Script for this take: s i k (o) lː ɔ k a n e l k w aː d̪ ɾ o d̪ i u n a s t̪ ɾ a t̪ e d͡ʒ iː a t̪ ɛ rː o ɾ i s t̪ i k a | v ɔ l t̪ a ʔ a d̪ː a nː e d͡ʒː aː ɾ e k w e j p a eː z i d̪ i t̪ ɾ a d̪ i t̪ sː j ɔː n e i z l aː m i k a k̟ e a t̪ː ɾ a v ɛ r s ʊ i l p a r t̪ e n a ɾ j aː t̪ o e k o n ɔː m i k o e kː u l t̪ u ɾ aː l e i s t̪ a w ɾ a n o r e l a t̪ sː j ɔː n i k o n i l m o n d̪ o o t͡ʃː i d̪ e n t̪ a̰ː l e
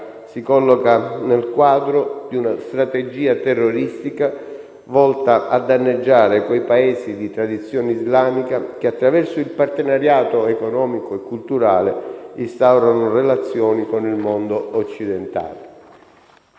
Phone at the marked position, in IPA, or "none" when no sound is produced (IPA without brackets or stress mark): ɔ